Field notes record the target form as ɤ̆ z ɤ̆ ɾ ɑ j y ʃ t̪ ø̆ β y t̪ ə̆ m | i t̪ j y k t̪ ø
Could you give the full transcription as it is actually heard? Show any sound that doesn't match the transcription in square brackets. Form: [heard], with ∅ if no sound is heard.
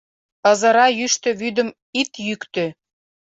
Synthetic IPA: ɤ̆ z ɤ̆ ɾ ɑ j y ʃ t̪ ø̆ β y [d̪] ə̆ m | i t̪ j y k t̪ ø